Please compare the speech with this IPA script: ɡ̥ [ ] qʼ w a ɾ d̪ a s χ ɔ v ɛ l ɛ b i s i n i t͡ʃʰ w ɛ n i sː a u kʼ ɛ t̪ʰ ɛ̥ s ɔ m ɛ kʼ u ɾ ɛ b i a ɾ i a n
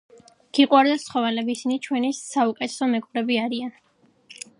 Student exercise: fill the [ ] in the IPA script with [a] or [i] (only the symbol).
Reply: i